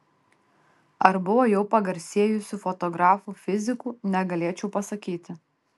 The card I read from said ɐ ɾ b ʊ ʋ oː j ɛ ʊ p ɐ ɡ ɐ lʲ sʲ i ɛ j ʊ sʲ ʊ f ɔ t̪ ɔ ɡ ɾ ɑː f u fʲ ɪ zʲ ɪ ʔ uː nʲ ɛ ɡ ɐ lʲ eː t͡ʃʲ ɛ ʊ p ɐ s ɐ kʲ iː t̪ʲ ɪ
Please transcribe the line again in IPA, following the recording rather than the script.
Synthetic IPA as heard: ɐ ɾ b ʊ ʋ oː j ɛ ʊ p ɐ ɡ ɐ ɾʲ sʲ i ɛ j ʊ sʲ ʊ f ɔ t̪ ɔ ɡ ɾ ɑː f u fʲ ɪ zʲ ɪ k uː nʲ ɛ ɡ ɐ lʲ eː t͡ʃʲ ɛ ʊ p ɐ s ɐ kʲ iː t̪ʲ ɪ